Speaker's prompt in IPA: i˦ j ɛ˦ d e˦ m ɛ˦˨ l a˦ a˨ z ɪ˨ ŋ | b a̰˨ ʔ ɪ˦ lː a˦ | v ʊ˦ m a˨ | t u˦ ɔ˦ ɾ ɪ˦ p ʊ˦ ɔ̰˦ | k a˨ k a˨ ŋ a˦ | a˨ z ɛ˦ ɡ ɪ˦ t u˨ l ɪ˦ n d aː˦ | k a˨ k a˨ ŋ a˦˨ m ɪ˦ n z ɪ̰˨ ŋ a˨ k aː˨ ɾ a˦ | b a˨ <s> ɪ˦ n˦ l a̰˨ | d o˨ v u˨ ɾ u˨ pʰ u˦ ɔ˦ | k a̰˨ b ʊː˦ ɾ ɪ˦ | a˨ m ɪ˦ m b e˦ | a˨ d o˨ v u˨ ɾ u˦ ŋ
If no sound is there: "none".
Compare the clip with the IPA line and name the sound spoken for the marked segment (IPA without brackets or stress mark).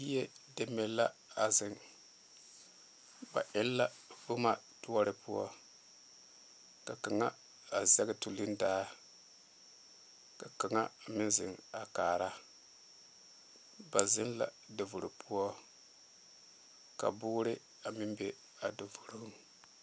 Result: z